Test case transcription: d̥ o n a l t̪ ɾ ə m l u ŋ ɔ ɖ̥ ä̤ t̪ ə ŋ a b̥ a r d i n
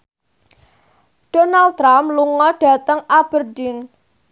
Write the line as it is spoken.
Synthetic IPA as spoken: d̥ o n a l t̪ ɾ a m l u ŋ ɔ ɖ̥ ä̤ t̪ ə ŋ a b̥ ə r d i n